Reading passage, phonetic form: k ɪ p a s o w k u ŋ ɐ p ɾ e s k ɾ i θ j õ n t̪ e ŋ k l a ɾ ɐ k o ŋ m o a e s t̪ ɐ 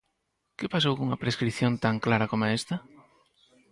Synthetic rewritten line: k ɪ p a s o w k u ŋ ɐ p ɾ e s k ɾ i θ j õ n t̪ a ŋ k l a ɾ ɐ k o m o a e s t̪ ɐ